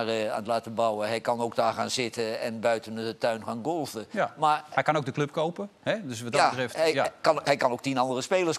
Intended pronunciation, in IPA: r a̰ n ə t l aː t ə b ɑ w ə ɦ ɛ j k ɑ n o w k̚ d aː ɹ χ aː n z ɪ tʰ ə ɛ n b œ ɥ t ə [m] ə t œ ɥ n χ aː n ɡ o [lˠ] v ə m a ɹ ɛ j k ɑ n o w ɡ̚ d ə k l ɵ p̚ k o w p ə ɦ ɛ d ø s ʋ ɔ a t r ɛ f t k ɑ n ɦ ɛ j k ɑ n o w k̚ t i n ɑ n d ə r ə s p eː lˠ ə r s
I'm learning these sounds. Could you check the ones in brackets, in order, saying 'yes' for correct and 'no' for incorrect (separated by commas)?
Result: no, yes